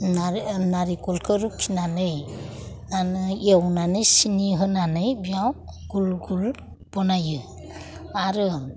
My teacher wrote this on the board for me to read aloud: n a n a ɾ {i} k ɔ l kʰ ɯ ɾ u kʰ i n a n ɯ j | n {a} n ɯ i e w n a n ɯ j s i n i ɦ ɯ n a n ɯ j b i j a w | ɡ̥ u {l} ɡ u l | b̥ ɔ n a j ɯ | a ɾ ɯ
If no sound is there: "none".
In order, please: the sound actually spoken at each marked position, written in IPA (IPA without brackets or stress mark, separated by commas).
i, a, l